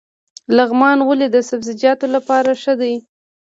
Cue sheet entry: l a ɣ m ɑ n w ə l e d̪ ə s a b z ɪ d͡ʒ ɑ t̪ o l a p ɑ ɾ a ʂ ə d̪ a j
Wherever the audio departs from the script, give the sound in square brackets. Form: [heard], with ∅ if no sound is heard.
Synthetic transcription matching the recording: l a ɣ m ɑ n w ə l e d̪ ə s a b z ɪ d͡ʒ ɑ t̪ o l a p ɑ ɾ a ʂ ə d̪ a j